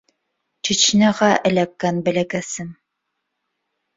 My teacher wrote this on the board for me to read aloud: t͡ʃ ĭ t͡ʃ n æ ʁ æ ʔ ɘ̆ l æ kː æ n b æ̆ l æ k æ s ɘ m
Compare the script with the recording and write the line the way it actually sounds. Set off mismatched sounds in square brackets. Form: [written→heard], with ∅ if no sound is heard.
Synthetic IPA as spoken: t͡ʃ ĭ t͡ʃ n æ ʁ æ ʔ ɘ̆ l æ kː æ n b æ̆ l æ k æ s ɘ m